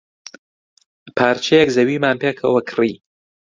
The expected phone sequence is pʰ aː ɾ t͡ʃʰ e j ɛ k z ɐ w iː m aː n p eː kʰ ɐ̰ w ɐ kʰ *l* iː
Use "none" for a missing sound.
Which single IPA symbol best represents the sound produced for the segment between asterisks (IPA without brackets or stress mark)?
r